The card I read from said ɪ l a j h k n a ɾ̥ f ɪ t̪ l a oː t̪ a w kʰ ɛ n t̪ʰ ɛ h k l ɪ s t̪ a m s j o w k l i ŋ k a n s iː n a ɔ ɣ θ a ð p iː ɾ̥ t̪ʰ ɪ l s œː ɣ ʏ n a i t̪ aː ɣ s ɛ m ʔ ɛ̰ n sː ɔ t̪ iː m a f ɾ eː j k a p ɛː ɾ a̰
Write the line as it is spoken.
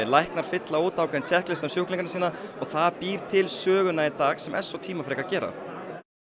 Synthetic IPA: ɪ l a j h k n a ɾ̥ f ɪ t̪ l a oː t̪ a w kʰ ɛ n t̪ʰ ɛ h k l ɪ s t̪ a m s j o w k l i ŋ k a n s iː n a ɔ ɣ θ a ð p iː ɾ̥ t̪ʰ ɪ l s œː ɣ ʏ n a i t̪ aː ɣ s ɛ m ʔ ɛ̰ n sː ɔ t̪ʰ iː m a f ɾ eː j k a c ɛː ɾ a̰